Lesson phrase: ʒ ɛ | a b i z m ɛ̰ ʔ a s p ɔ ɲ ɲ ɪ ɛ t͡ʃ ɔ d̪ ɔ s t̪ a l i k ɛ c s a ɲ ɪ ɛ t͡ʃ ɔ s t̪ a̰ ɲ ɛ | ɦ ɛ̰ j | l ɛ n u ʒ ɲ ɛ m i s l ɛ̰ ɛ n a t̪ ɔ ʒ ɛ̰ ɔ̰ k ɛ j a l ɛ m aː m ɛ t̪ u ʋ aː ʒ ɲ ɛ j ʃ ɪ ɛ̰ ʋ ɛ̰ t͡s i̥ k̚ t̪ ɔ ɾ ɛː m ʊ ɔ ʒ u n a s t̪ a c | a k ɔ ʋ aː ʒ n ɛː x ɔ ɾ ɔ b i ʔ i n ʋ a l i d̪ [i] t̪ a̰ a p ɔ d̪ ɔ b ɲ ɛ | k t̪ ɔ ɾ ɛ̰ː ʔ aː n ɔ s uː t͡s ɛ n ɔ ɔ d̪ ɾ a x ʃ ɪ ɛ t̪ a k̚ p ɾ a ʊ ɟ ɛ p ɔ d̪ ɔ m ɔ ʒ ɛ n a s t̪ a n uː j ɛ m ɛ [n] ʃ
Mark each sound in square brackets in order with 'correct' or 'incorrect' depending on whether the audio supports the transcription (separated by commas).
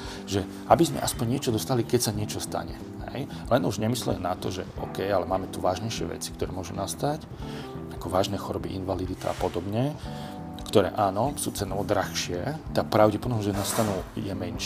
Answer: correct, correct